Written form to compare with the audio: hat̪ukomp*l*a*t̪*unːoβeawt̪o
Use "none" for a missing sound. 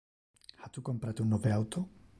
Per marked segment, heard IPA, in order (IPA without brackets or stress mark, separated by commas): ɾ, t̪